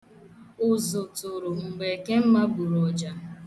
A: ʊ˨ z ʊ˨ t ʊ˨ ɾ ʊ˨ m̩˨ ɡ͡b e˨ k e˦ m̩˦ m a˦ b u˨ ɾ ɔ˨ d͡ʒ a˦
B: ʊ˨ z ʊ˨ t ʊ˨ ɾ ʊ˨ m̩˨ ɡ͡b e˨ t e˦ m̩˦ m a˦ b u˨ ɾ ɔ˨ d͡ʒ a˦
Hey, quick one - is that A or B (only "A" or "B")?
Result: A